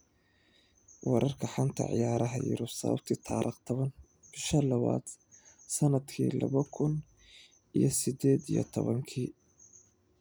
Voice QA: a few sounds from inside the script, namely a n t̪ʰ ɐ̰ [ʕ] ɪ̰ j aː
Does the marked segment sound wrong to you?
no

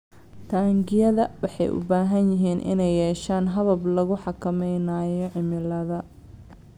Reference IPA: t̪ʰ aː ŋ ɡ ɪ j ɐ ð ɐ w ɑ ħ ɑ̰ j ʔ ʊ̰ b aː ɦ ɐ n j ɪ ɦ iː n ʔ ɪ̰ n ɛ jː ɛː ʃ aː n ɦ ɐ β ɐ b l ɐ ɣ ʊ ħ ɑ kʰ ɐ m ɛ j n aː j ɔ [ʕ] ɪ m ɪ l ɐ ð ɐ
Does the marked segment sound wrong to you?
no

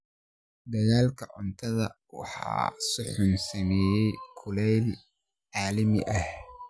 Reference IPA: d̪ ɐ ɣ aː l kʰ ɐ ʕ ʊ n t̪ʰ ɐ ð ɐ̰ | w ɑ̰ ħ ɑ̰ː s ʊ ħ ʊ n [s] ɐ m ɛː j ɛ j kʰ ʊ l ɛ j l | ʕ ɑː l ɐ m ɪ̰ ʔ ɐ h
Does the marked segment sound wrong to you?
no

